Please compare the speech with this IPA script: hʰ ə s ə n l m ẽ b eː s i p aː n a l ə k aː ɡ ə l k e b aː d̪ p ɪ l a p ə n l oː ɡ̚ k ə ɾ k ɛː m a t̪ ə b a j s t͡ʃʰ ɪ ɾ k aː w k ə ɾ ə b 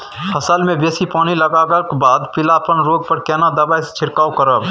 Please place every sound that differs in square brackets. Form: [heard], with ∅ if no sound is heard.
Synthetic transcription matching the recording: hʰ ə s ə [∅] l m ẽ b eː s i p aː n [i] l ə [ɡ] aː ɡ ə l k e b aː d̪ p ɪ l a p ə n [ɾ] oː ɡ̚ [p] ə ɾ k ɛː [n] a [d̪] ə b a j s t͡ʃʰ ɪ ɾ k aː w k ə ɾ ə b